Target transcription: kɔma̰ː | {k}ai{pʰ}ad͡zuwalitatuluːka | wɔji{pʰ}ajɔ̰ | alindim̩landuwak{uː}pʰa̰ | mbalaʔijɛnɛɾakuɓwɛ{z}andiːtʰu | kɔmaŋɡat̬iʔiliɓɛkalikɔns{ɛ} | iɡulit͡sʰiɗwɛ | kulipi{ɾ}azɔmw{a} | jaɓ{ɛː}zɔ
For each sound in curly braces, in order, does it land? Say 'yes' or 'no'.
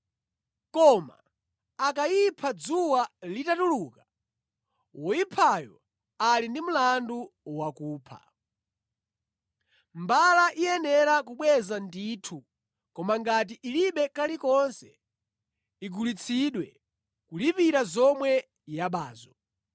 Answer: yes, yes, yes, yes, yes, yes, yes, no, no

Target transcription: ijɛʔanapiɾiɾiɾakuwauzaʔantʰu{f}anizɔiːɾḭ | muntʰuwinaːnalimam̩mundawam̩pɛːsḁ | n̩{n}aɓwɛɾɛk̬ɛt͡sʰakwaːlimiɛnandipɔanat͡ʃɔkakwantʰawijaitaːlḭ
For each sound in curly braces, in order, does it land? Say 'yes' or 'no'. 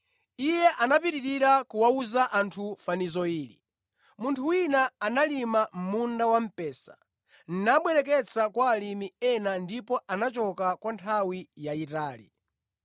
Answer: yes, yes

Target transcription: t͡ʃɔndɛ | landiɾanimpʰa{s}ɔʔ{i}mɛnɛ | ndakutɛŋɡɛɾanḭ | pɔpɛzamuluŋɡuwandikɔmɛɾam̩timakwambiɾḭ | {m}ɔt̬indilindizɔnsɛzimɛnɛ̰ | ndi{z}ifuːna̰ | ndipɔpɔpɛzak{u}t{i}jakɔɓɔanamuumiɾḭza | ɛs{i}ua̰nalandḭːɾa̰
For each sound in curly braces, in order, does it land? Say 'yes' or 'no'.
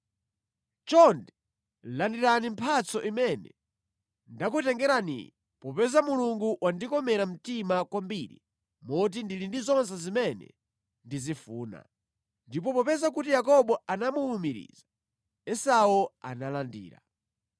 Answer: no, yes, yes, yes, yes, yes, no

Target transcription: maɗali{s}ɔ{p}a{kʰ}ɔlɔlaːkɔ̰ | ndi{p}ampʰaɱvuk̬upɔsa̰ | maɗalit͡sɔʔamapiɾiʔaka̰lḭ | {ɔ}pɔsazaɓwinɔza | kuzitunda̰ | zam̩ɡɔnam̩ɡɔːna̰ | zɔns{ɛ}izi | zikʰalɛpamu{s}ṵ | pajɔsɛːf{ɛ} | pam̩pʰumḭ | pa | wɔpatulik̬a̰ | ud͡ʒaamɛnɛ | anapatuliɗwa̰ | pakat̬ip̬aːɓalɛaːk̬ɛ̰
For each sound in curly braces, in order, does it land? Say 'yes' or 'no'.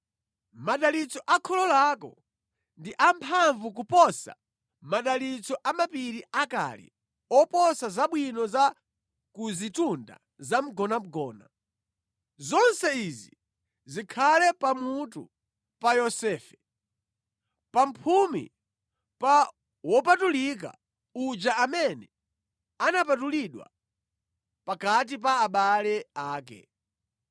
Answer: no, no, yes, no, yes, yes, no, yes

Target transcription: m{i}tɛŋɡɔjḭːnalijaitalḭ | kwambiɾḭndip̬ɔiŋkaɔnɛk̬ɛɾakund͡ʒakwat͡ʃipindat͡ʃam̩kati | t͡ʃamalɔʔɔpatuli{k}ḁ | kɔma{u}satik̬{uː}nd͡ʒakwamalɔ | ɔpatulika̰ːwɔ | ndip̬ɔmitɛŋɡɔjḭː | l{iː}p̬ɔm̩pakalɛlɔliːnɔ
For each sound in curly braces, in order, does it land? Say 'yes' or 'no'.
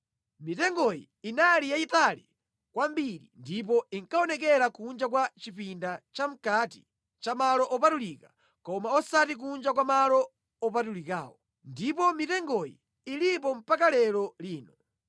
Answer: yes, yes, no, no, no

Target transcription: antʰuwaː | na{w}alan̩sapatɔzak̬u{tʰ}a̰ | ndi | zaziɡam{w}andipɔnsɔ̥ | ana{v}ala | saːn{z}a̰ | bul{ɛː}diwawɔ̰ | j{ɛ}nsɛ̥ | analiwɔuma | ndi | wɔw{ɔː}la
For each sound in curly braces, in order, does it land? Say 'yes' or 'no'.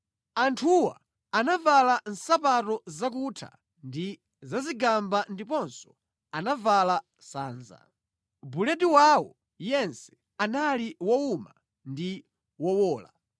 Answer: no, yes, no, yes, yes, no, yes, yes

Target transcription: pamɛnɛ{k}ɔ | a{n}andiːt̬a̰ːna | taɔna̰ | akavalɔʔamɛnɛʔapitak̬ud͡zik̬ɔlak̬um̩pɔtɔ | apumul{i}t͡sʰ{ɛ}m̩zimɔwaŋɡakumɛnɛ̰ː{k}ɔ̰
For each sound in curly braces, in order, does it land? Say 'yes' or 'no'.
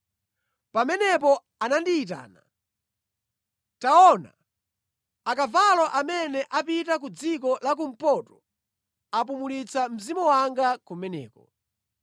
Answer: no, yes, yes, no, yes

